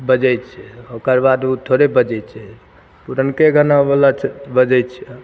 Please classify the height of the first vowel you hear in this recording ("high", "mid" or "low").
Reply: mid